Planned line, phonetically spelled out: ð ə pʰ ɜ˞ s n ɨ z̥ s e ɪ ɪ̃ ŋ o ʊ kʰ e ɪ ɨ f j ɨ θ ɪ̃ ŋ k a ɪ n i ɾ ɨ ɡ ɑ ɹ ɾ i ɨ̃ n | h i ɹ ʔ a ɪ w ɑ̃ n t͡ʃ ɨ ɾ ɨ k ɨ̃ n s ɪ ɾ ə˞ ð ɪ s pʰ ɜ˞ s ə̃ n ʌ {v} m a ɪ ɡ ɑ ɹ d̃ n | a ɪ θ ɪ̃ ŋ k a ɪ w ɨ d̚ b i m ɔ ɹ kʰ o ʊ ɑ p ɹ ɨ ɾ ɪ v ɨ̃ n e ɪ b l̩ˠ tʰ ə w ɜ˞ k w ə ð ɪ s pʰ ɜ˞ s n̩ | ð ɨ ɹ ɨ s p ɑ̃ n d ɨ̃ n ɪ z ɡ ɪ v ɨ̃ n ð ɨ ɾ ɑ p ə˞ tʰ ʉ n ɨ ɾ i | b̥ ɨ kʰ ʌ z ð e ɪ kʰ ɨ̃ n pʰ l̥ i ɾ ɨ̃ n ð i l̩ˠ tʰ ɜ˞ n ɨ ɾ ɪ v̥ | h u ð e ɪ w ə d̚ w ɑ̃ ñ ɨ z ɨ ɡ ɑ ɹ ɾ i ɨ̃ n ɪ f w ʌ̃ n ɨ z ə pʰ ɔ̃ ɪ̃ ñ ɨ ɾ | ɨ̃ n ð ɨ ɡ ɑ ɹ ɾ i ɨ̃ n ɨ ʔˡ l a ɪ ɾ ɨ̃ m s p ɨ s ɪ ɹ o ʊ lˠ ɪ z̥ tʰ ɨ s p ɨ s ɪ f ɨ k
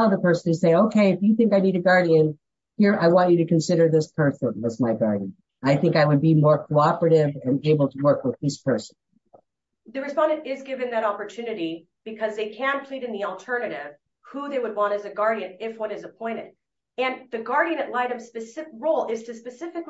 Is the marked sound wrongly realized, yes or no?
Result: yes